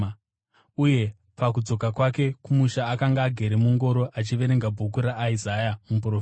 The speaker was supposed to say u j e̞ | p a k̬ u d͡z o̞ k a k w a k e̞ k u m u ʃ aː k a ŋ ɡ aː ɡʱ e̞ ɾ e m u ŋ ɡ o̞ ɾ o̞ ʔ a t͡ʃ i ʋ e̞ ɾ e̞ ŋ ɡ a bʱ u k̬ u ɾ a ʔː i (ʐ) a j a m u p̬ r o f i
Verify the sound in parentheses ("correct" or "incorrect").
incorrect